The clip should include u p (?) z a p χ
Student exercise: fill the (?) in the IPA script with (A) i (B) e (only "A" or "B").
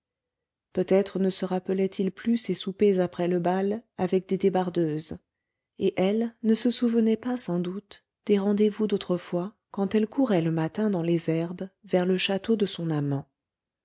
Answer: B